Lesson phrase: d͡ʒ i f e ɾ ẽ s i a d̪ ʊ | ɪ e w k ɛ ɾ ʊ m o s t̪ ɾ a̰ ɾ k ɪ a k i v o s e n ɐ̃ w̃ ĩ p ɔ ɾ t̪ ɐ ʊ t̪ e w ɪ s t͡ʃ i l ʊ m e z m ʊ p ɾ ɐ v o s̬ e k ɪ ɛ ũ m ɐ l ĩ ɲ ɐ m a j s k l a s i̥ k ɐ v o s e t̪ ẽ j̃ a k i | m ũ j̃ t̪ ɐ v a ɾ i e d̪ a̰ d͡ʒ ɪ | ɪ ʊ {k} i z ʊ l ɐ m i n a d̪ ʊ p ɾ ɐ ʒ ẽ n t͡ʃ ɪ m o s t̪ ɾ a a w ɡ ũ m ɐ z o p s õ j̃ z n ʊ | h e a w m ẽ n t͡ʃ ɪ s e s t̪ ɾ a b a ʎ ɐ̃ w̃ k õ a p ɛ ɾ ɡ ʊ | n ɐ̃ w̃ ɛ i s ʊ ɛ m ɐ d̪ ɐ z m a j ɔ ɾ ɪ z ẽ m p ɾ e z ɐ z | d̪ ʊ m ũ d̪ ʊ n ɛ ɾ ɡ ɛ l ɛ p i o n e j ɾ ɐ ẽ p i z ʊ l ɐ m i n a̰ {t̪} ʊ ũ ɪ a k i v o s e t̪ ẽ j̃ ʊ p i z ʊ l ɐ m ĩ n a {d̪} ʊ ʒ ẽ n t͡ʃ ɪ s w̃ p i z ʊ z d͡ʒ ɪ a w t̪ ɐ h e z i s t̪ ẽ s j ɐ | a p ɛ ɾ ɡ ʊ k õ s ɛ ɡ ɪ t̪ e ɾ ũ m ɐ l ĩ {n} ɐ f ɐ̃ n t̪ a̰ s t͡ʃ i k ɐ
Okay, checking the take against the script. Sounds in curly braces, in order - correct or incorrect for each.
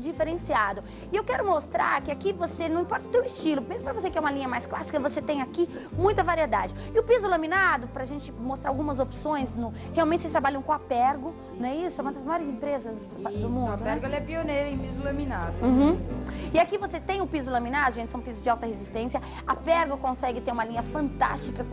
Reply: incorrect: p, incorrect: d̪, correct, incorrect: ɲ

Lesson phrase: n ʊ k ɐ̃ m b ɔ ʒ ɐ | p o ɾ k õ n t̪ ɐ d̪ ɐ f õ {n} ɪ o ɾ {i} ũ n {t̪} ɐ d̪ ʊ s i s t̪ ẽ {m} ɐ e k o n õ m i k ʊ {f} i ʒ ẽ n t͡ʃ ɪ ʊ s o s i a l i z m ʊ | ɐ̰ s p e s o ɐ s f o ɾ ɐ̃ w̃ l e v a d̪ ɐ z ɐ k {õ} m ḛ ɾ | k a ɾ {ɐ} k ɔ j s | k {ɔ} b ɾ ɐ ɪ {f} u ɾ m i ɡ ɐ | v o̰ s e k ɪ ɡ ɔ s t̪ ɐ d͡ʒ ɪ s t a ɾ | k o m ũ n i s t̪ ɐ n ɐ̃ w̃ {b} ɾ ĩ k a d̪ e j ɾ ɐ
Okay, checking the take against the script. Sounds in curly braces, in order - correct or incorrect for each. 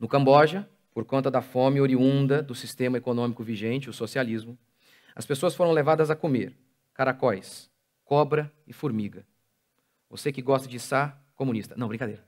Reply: incorrect: m, correct, incorrect: d̪, correct, incorrect: v, incorrect: o, incorrect: a, correct, correct, correct

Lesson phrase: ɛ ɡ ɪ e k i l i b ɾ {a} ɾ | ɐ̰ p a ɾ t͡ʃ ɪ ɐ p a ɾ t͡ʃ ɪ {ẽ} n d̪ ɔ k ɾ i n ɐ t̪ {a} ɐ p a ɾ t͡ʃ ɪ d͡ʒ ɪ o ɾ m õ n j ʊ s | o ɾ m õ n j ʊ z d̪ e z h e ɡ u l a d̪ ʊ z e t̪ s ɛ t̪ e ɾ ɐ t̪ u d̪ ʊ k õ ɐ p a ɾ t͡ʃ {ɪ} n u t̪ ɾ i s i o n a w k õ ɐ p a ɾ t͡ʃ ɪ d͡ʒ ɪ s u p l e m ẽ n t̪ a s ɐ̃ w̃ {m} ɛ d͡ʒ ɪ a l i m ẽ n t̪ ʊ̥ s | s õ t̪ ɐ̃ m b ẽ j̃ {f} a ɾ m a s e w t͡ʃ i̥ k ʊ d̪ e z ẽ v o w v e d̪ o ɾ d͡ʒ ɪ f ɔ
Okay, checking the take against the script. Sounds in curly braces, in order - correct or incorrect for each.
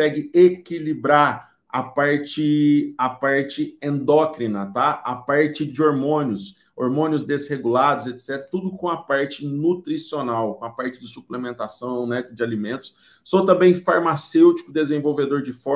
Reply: correct, correct, correct, correct, incorrect: n, correct

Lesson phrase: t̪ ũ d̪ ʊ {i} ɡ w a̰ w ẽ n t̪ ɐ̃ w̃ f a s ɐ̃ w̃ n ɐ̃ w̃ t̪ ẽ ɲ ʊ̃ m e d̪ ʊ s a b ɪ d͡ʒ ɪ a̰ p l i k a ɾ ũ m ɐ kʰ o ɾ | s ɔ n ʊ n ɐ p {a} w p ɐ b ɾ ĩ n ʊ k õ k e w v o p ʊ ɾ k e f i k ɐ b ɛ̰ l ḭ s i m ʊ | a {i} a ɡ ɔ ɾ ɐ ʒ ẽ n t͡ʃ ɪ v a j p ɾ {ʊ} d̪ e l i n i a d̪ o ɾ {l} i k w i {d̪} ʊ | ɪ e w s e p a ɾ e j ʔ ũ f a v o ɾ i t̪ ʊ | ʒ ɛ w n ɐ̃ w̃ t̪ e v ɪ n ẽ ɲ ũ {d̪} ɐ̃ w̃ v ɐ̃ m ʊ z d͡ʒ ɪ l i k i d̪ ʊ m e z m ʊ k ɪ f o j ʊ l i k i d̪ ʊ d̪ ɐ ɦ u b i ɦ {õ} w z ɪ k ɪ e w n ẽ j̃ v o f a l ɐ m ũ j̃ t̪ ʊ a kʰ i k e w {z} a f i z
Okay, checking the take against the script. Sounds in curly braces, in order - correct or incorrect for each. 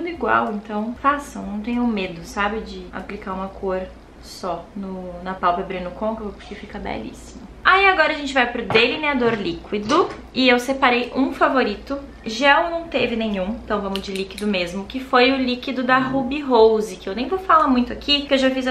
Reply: correct, correct, correct, correct, correct, correct, incorrect: t̪, incorrect: o, incorrect: ʒ

